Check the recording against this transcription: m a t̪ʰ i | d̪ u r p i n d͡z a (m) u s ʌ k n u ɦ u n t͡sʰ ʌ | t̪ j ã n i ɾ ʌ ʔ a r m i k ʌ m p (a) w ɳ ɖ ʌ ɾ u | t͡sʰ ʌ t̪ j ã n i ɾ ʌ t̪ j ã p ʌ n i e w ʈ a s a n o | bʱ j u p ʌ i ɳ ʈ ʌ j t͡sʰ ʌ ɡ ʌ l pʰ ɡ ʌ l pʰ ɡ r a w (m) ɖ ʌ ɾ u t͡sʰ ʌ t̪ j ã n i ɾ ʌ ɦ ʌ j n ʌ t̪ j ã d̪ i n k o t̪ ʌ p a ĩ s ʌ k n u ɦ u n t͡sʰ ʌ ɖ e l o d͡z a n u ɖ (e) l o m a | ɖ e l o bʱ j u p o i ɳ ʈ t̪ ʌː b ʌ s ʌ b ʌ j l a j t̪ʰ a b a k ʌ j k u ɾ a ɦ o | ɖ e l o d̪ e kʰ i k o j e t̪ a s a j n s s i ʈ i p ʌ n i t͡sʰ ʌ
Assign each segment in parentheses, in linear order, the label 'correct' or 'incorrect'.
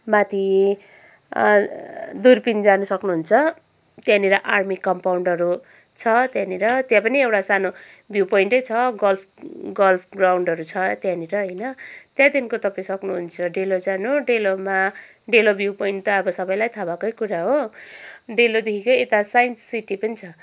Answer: incorrect, correct, incorrect, correct

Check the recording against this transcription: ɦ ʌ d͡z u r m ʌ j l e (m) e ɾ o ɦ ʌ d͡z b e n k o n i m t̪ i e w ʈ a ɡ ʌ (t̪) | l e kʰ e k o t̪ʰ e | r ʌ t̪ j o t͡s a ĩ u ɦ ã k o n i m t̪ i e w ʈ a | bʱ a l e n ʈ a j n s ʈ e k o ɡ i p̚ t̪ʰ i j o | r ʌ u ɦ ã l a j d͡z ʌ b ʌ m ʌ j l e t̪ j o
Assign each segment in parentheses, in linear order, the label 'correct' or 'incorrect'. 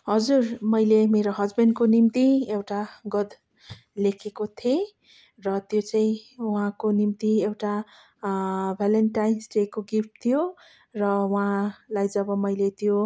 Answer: correct, incorrect

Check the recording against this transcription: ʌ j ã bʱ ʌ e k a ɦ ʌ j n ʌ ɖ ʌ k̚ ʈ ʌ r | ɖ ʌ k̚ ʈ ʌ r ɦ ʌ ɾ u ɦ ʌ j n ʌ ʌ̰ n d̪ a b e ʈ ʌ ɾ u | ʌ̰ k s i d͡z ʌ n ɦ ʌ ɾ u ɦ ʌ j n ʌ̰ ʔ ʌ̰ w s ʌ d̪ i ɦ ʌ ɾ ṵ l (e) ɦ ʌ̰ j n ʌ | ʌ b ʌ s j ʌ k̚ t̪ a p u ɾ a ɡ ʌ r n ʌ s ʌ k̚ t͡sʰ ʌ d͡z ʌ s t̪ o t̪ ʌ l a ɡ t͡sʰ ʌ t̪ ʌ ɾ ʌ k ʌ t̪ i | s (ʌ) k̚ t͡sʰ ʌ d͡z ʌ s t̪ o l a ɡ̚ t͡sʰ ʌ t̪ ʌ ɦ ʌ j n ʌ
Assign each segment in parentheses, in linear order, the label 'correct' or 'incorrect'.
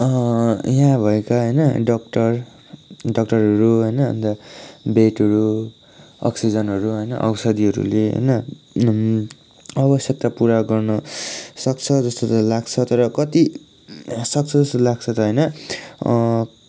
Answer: correct, correct

